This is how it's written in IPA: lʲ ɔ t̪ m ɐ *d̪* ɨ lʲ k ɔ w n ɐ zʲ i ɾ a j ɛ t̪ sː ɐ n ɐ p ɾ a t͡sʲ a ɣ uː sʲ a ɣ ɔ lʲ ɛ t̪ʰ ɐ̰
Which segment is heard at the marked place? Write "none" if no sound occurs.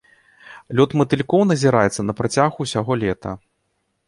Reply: t̪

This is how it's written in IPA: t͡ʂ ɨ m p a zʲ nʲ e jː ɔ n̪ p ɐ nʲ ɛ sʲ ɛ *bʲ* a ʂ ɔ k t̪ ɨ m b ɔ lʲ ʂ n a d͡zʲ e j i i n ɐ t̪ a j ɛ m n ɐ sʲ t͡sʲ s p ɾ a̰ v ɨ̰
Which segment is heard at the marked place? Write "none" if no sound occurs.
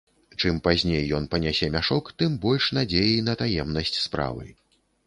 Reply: mʲ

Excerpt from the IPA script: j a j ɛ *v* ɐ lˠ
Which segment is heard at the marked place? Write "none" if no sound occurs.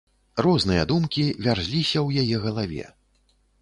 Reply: ɣ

